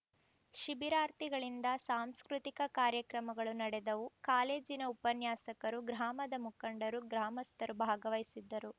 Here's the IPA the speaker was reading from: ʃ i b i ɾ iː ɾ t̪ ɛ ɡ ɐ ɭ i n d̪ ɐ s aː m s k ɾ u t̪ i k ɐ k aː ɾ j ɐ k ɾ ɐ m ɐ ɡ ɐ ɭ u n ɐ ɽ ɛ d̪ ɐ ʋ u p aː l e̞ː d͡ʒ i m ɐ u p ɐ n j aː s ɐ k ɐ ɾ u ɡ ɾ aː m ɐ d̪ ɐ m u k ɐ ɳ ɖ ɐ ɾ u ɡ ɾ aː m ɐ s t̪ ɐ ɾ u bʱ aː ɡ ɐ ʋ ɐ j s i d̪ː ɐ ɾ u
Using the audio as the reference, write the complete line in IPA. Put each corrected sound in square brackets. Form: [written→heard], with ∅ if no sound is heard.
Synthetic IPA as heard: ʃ i b i ɾ [iː→aː] ɾ t̪ [ɛ→i] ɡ ɐ ɭ i n d̪ ɐ s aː m s k ɾ u t̪ i k ɐ k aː ɾ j ɐ k ɾ ɐ m ɐ ɡ ɐ ɭ u n ɐ ɽ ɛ d̪ ɐ ʋ u [p→k] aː l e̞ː d͡ʒ i [m→n] ɐ u p ɐ n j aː s ɐ k ɐ ɾ u ɡ ɾ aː m ɐ d̪ ɐ m u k ɐ ɳ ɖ ɐ ɾ u ɡ ɾ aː m ɐ s t̪ ɐ ɾ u bʱ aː ɡ ɐ ʋ ɐ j s i d̪ː ɐ ɾ u